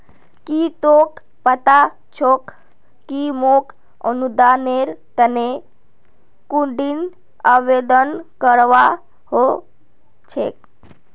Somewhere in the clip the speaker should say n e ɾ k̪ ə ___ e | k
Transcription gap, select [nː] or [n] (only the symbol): n